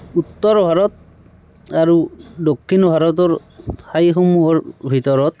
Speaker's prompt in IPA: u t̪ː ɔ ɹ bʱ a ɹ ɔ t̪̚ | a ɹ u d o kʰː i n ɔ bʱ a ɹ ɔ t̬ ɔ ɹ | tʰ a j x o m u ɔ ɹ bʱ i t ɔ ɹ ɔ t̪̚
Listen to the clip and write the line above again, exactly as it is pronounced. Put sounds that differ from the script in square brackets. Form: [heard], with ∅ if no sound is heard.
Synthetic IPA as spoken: u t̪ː ɔ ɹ bʱ a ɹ ɔ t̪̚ | a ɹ u d o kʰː i n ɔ bʱ a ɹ ɔ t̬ ɔ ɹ | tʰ a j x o m u ɔ ɹ bʱ i t ɔ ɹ ɔ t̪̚